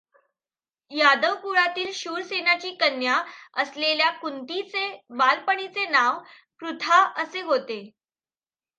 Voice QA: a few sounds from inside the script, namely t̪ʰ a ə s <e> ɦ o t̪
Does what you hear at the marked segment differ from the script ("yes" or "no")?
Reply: no